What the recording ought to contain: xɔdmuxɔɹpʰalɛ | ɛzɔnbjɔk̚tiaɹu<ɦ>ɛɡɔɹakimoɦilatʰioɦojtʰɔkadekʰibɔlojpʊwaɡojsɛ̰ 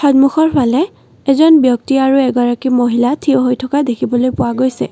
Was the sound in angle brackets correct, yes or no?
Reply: no